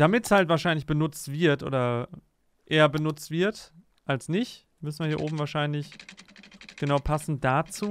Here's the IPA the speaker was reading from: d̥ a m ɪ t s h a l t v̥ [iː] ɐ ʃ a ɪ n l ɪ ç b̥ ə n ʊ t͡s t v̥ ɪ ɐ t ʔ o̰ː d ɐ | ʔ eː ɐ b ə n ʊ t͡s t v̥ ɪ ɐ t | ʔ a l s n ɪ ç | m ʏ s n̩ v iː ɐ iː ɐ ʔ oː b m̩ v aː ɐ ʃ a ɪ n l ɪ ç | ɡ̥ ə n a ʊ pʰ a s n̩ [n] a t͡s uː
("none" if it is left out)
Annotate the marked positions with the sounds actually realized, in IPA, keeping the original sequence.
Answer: aː, d

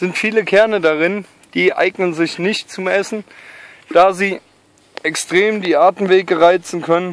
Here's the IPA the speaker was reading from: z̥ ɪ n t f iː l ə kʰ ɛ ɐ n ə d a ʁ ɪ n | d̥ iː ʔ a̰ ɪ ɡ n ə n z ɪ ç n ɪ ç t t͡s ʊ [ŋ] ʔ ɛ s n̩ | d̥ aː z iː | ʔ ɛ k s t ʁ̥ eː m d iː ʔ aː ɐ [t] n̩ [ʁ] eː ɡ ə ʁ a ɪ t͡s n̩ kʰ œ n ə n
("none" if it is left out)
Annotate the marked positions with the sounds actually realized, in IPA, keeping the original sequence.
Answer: m, t, v

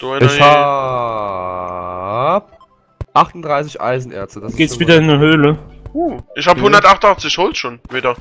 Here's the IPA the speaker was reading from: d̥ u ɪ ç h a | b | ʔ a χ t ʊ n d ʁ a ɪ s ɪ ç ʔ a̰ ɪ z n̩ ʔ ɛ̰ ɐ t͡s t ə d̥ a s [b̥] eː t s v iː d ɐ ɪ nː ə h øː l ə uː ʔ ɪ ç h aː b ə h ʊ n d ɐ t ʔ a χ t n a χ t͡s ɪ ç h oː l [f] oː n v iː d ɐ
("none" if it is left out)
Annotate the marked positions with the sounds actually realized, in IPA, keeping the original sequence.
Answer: ɡ̥, ʃ

